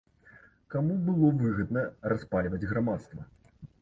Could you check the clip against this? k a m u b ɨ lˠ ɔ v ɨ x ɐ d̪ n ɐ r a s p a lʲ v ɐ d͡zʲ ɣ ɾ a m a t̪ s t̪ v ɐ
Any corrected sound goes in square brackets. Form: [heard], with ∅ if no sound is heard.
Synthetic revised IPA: k a m u b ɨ lˠ ɔ v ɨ [ɣ] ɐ d̪ n ɐ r a s p a lʲ v ɐ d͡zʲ ɣ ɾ a m a t̪ s t̪ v ɐ